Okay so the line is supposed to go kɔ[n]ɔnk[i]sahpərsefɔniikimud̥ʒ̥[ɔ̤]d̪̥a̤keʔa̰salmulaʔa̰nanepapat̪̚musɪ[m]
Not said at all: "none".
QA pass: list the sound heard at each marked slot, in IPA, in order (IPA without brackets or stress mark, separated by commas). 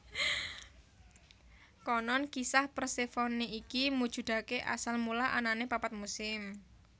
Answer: n, i, ṳ, m